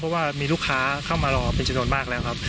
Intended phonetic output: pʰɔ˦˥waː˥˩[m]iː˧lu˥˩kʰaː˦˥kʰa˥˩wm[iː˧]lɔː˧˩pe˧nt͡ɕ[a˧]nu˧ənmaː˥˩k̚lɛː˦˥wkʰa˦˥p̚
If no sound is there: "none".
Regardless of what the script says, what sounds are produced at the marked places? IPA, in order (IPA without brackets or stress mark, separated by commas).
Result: m, aː˧, a˧